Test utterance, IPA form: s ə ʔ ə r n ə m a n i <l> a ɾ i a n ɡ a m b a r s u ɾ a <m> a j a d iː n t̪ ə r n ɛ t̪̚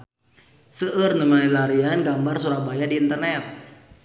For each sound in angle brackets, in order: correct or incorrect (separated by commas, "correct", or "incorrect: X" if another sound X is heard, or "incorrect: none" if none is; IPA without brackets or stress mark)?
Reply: correct, incorrect: b